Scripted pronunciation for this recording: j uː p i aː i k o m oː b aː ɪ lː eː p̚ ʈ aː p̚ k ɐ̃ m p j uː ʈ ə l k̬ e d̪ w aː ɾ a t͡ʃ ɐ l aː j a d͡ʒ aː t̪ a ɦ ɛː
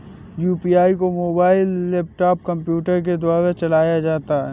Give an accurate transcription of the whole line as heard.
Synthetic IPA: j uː p i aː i k o m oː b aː ɪ lː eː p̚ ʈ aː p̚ k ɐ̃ m p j uː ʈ ə ɾ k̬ e d̪ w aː ɾ a t͡ʃ ɐ l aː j a d͡ʒ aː t̪ a ɦ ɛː